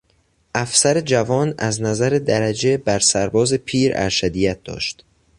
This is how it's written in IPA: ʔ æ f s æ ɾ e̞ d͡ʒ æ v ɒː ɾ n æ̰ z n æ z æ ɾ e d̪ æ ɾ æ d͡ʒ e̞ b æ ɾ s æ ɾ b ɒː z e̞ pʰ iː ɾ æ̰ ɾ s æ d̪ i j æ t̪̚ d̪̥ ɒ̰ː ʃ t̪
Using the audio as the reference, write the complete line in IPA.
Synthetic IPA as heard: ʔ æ f s æ ɾ e̞ d͡ʒ æ v ɒː n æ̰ z n æ z æ ɾ e d̪ æ ɾ æ d͡ʒ e̞ b æ ɾ s æ ɾ b ɒː z e̞ pʰ iː ɾ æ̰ ɾ ʃ æ d̪ i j æ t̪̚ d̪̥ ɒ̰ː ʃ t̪